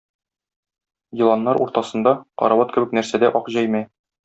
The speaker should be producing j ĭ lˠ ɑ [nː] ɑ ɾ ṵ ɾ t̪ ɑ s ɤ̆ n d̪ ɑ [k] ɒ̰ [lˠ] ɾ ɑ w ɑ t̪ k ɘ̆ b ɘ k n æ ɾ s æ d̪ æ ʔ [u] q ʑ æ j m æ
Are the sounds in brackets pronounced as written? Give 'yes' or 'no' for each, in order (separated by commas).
yes, no, no, no